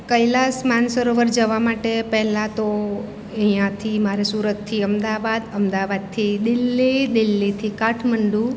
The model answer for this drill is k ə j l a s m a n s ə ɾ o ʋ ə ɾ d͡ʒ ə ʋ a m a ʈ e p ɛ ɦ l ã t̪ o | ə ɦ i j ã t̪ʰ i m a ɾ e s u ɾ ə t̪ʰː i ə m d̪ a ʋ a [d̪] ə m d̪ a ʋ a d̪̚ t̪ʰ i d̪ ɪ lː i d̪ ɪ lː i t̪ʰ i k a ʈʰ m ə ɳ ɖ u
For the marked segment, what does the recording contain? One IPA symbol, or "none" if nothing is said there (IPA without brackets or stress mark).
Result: d̪